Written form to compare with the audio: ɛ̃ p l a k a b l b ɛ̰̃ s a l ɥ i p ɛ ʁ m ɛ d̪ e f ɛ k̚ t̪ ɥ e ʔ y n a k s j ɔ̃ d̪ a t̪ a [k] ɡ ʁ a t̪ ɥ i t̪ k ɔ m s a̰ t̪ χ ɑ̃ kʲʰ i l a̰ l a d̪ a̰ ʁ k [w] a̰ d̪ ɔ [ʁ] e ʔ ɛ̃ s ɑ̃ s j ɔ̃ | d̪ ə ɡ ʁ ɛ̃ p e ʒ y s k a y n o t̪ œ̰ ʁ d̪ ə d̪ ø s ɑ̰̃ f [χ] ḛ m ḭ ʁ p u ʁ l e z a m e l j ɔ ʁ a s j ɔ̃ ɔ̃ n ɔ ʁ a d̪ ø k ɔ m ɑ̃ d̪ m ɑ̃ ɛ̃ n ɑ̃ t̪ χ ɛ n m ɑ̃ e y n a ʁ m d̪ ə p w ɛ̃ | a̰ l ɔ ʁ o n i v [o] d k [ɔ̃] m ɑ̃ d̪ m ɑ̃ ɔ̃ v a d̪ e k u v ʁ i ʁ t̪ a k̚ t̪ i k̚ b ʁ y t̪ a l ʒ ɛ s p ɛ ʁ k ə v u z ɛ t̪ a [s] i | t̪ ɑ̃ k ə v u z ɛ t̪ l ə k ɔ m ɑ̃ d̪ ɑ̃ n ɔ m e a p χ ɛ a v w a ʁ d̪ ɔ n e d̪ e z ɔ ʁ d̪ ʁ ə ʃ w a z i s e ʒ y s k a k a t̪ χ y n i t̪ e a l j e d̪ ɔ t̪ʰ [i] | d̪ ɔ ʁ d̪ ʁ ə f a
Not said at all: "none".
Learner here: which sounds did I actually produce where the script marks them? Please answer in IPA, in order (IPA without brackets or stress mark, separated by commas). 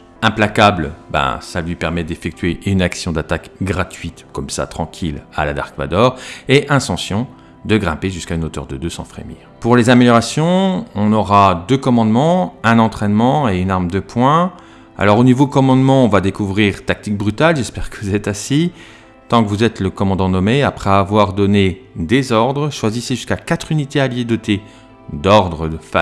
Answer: k, v, ʁ, χ, o, ɔ, s, e